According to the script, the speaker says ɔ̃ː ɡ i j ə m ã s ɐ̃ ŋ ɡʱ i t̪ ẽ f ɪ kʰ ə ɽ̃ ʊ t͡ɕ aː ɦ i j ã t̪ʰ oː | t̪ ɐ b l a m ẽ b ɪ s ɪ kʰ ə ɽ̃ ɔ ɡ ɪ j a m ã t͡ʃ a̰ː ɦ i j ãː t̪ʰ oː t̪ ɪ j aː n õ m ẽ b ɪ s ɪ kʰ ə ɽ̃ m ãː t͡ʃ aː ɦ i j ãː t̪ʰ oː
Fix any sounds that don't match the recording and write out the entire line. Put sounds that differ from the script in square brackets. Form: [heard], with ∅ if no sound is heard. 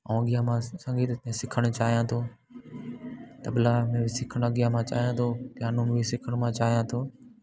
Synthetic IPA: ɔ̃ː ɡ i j [a] m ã s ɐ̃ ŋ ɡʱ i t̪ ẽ [s] ɪ kʰ ə ɽ̃ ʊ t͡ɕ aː ɦ i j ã t̪ʰ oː | t̪ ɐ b l a m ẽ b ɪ s ɪ kʰ ə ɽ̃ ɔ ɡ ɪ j a m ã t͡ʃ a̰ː ɦ i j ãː t̪ʰ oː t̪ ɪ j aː n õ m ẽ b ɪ s ɪ kʰ ə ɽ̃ m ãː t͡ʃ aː ɦ i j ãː t̪ʰ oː

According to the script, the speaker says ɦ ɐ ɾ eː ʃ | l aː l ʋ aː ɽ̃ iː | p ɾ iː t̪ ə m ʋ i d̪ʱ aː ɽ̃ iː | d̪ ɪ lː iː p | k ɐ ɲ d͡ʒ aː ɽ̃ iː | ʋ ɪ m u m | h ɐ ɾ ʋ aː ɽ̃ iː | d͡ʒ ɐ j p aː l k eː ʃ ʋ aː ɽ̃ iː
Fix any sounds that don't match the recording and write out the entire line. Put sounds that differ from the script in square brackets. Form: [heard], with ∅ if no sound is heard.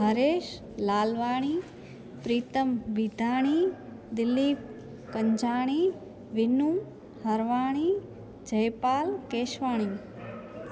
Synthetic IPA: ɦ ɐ ɾ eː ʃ | l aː l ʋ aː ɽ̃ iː | p ɾ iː t̪ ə m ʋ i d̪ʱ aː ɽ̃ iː | d̪ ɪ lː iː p | k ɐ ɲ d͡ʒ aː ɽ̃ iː | ʋ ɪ [n] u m | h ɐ ɾ ʋ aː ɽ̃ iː | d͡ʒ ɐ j p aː l k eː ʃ ʋ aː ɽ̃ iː

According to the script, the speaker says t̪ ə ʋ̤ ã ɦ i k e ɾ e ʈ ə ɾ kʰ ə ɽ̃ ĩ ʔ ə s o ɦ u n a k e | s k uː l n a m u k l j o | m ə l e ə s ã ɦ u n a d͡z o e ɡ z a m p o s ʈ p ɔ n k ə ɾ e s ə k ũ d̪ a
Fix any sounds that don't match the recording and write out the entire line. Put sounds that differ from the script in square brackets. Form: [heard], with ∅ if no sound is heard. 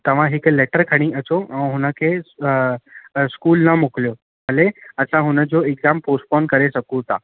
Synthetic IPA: t̪ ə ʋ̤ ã ɦ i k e [l] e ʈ ə ɾ kʰ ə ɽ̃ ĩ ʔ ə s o ɦ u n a k e | s k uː l n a m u k l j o | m ə l e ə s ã ɦ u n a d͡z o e ɡ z a m p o s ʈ p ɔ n k ə ɾ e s ə k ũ [t̪] a

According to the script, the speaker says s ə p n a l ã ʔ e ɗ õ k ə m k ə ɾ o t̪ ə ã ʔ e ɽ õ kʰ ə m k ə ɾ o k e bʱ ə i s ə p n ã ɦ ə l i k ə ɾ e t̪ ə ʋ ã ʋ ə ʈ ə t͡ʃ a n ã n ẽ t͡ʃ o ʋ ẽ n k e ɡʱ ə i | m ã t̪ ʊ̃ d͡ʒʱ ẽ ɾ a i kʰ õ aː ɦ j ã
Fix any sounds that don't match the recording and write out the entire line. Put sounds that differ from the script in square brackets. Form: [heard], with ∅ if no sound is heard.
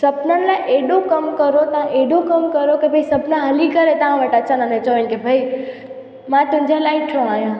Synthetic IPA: s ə p n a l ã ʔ e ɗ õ k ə m k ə ɾ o t̪ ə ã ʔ e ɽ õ [k] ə m k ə ɾ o k e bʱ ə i s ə p n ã ɦ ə l i k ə ɾ e t̪ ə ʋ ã ʋ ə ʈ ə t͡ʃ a n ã n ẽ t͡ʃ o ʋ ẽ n k e [bʱ] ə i | m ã t̪ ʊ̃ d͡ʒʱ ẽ [l] a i [ʈʰ] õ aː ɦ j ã

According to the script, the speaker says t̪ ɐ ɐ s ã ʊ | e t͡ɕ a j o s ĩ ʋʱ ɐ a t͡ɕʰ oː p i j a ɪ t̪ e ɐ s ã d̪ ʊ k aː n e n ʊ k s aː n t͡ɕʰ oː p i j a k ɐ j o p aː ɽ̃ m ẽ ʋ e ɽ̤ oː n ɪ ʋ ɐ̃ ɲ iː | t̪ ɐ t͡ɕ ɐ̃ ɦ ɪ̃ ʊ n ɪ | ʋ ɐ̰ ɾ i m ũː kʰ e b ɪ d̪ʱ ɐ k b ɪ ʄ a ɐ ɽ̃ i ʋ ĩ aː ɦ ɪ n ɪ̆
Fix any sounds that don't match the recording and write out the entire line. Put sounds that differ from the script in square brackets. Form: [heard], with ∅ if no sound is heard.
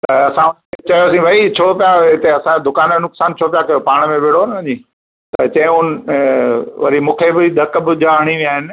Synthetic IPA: t̪ ɐ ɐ s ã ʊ | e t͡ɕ [ɐ] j o s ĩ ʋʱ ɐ [i] t͡ɕʰ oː p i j a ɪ t̪ e ɐ s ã d̪ ʊ k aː n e n ʊ k s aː n t͡ɕʰ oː p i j a k ɐ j o p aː ɽ̃ m ẽ ʋ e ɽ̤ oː n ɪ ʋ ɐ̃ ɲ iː | t̪ ɐ t͡ɕ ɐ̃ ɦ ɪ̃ ʊ n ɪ | ʋ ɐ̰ ɾ i m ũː kʰ e b ɪ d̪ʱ ɐ k b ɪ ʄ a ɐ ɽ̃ i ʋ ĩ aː ɦ ɪ n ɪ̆

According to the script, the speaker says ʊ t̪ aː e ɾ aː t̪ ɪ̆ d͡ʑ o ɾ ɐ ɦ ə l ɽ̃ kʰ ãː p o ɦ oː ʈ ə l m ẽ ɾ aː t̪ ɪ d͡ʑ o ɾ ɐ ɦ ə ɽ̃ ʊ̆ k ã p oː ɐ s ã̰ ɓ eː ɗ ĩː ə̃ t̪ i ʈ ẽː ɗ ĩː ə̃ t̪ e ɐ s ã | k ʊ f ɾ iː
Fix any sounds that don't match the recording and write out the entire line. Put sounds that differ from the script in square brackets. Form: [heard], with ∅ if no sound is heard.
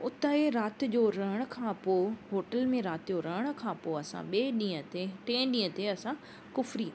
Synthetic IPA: ʊ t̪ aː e ɾ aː t̪ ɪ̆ d͡ʑ o ɾ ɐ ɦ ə [∅] ɽ̃ kʰ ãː p o ɦ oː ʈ ə l m ẽ ɾ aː t̪ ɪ d͡ʑ o ɾ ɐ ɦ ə ɽ̃ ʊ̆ [kʰ] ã p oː ɐ s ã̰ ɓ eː ɗ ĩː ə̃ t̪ [e] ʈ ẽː ɗ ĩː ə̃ t̪ e ɐ s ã | k ʊ f ɾ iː

